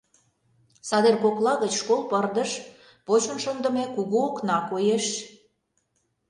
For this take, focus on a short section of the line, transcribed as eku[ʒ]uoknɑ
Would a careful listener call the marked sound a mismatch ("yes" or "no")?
yes